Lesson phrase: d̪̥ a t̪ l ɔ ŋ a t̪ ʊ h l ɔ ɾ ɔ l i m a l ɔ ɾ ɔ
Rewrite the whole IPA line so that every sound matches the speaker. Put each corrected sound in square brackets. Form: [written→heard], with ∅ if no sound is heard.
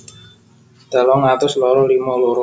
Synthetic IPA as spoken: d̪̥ a [t̪→∅] l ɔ ŋ a t̪ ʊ [h→s] l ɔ ɾ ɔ l i m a l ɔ ɾ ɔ